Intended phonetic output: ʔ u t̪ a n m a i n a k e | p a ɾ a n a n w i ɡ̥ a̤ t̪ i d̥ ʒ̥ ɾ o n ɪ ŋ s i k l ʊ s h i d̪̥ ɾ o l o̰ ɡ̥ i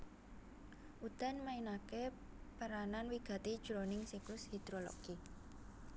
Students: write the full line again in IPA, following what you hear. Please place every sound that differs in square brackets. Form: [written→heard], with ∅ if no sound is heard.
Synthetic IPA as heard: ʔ u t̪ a n m a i n a k e | p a ɾ a n a n w i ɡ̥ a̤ t̪ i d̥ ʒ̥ ɾ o n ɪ ŋ s i k l ʊ s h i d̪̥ ɾ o l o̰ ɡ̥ i